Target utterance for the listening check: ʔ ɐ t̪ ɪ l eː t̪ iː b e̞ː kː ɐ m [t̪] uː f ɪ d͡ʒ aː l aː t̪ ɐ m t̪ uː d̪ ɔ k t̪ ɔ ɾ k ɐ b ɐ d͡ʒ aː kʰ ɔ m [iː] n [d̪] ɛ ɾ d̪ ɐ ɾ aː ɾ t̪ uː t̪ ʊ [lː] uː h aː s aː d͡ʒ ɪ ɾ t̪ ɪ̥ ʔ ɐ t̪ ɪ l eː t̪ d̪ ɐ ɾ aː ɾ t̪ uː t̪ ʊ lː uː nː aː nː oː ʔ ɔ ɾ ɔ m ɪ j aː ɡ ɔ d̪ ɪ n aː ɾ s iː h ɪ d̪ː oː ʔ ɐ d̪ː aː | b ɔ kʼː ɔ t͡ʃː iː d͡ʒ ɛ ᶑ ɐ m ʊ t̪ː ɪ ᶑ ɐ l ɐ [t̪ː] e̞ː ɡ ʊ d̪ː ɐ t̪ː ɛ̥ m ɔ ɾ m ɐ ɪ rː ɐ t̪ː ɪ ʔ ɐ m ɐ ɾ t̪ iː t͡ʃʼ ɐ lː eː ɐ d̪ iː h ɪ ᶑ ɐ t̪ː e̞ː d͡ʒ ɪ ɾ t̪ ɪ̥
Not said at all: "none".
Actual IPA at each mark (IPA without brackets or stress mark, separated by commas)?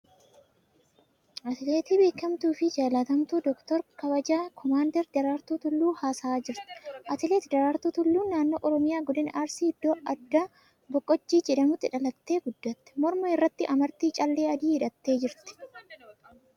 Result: t̪, aː, d̪, lː, t̪ː